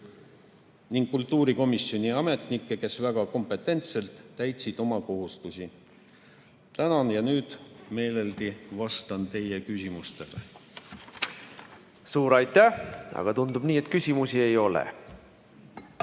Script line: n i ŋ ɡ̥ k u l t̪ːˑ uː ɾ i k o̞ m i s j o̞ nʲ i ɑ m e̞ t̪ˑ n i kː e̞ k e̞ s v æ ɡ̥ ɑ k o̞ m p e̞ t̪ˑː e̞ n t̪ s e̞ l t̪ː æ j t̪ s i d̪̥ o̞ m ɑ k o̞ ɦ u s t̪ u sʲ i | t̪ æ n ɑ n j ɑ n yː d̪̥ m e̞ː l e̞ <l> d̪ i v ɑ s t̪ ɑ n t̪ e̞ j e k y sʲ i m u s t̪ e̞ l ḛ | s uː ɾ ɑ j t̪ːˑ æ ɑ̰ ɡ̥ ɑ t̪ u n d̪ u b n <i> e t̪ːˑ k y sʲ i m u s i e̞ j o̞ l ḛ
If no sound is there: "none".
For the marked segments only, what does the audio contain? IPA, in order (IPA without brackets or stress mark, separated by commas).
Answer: l, iː